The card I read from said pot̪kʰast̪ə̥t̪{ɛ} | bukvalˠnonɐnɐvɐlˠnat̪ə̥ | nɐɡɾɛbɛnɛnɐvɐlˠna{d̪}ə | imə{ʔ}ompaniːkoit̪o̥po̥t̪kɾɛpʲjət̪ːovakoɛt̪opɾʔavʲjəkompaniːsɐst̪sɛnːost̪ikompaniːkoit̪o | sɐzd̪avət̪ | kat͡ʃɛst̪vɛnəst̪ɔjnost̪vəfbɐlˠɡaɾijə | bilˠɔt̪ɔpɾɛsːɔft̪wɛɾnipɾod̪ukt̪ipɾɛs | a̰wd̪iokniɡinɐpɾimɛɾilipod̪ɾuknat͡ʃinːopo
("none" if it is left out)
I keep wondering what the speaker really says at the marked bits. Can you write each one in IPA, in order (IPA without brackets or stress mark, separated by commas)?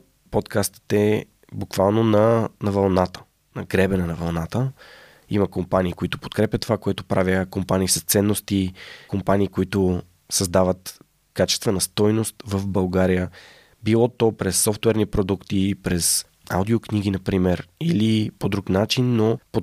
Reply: ɛ, t̪, k